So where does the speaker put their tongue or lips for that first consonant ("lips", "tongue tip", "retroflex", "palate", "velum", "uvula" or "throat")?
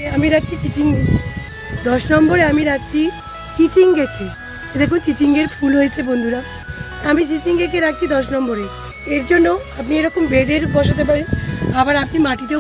lips